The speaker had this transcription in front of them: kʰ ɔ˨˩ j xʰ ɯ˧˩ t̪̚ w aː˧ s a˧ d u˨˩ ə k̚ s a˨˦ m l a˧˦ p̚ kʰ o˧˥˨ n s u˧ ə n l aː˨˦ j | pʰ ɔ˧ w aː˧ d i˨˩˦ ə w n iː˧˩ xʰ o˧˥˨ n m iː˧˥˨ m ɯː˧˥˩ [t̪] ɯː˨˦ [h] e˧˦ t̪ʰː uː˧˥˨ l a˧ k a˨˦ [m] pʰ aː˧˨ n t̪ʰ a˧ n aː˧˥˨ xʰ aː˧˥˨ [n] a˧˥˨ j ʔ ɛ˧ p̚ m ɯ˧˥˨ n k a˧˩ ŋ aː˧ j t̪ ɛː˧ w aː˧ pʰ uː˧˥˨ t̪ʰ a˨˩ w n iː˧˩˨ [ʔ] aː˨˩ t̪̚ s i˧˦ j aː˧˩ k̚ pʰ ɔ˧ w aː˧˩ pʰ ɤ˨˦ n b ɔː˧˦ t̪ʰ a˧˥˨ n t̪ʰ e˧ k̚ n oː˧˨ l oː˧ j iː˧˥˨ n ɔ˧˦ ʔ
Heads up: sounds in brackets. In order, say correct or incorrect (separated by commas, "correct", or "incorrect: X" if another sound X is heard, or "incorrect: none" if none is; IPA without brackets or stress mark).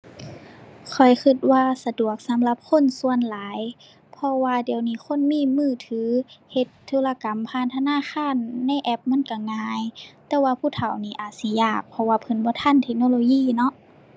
incorrect: t̪ʰ, correct, correct, incorrect: nː, correct